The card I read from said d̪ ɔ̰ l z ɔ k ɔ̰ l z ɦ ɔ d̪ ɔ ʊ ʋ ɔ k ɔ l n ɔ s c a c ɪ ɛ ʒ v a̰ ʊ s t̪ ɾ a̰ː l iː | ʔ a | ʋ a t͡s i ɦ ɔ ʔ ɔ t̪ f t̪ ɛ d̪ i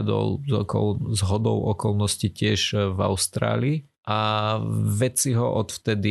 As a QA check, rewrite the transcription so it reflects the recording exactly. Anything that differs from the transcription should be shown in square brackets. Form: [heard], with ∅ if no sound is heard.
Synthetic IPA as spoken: d̪ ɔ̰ l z ɔ k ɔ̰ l z ɦ ɔ d̪ ɔ ʊ [∅] ɔ k ɔ l n ɔ s c [i] c ɪ ɛ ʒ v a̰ ʊ s t̪ ɾ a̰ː l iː | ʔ a | ʋ [ɛ] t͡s i ɦ ɔ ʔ ɔ t̪ f t̪ ɛ d̪ i